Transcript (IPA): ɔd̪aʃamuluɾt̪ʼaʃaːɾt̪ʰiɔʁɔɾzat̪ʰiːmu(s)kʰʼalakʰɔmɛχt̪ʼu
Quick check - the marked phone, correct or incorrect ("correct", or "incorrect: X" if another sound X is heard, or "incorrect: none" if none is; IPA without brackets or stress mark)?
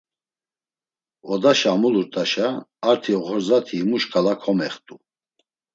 incorrect: ʃ